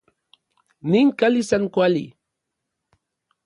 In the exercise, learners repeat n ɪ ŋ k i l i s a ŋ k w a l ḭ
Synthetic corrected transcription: n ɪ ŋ k a l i s a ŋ k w a l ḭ